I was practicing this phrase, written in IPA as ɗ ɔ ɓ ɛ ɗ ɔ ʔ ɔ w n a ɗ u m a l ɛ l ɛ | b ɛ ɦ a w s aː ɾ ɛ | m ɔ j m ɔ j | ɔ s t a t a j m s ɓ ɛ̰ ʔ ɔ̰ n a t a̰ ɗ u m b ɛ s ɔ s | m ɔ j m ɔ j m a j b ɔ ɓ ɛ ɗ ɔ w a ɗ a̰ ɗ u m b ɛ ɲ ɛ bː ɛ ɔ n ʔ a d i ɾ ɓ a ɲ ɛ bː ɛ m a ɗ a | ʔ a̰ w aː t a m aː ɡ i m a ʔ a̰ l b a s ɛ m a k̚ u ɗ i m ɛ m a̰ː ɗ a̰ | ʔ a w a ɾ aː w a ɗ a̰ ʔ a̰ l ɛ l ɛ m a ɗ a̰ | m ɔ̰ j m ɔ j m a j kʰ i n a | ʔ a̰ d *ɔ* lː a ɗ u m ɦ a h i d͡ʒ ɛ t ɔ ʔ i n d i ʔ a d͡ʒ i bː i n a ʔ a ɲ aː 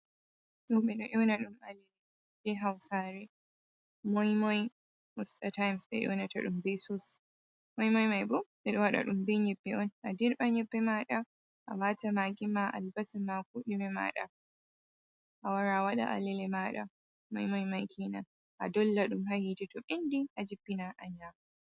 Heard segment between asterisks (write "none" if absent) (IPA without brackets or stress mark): ɔ